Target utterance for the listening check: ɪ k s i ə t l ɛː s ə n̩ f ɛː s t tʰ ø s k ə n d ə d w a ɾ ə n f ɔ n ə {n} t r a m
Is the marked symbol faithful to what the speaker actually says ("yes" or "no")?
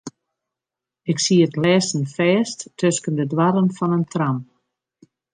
yes